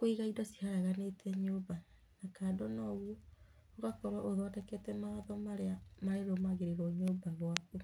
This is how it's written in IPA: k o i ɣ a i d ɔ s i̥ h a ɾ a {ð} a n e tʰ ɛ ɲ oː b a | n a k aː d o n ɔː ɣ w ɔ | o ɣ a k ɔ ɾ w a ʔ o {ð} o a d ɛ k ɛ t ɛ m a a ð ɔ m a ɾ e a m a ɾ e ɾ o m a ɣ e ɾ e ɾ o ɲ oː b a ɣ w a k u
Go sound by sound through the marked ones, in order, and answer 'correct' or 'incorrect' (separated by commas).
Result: incorrect, correct